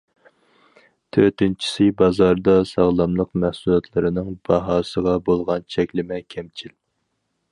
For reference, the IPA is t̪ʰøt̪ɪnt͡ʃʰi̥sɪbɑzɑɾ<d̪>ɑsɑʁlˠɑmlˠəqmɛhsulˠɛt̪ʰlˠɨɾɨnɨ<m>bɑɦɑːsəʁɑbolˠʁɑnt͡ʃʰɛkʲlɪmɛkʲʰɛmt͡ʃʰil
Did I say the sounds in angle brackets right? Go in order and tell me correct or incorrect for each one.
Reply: correct, incorrect: ŋ

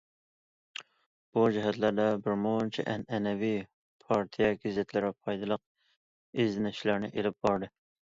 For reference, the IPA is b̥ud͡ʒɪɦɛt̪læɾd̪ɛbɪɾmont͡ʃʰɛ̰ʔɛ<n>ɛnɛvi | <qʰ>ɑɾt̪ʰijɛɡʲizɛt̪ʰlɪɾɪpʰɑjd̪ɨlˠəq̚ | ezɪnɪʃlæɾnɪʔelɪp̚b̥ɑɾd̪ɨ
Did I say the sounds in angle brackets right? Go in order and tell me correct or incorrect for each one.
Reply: correct, incorrect: pʰ

